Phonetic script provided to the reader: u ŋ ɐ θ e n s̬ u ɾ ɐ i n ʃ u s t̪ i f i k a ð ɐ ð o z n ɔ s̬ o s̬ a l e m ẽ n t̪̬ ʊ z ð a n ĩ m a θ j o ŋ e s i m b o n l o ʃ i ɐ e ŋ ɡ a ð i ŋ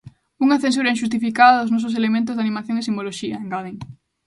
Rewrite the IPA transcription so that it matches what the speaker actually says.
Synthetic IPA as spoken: u ŋ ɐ θ e n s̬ u ɾ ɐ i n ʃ u s t̪ i f i k a ð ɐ ð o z n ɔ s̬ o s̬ e l e m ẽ n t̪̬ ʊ z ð a n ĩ m a θ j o ŋ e s i m b o l o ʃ i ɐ e ŋ ɡ a ð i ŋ